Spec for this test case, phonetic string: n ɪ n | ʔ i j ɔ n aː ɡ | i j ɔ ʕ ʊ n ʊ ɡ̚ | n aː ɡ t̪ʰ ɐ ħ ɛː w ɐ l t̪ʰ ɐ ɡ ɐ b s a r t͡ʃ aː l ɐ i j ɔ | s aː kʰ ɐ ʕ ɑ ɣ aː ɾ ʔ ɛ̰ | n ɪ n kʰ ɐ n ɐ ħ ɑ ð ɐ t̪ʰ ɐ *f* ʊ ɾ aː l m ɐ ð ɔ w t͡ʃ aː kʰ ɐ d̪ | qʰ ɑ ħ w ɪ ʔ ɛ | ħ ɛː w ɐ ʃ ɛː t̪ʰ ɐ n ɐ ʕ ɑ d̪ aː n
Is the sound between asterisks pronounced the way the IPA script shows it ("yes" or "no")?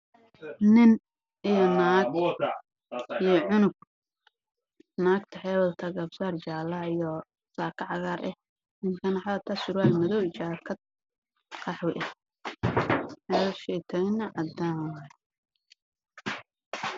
no